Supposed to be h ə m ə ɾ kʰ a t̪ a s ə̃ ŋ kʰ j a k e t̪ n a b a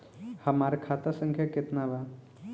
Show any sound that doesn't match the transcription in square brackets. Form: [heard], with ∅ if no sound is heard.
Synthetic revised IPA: h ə m [a] ɾ kʰ a t̪ a s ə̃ ŋ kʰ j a k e t̪ n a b a